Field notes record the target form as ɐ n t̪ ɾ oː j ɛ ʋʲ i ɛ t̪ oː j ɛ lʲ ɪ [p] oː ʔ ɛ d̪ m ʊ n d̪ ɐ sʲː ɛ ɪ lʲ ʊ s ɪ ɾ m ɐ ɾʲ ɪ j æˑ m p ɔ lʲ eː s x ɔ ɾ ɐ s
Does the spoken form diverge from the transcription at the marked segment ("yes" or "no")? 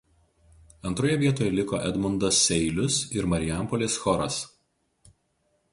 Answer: yes